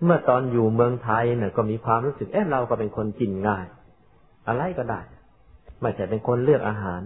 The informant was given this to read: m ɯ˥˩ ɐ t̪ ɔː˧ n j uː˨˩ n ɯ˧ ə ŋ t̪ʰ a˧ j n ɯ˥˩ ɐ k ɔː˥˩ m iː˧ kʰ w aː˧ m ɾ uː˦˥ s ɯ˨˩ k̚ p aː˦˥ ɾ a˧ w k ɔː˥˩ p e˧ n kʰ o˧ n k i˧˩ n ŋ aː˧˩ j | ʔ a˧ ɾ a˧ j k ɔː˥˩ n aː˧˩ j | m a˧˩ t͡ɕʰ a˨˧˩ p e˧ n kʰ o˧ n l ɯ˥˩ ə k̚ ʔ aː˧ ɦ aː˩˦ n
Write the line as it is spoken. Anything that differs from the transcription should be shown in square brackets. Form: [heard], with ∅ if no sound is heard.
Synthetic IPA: m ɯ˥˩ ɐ t̪ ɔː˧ n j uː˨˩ [m] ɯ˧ ə ŋ t̪ʰ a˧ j n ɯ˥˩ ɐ k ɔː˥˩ m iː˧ kʰ w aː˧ m ɾ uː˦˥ s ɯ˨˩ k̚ [ʔ] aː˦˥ ɾ a˧ w k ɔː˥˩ p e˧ n kʰ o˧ n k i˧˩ n ŋ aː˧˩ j | ʔ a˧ ɾ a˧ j k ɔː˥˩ [d] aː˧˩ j | m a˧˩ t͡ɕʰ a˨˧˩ p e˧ n kʰ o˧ n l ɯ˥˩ ə k̚ ʔ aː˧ ɦ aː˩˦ n